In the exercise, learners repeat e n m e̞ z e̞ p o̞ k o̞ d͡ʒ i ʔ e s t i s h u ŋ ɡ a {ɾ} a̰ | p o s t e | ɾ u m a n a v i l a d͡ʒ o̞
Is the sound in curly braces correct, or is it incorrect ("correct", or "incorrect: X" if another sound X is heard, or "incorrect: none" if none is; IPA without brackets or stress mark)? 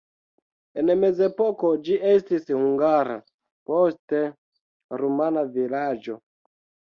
correct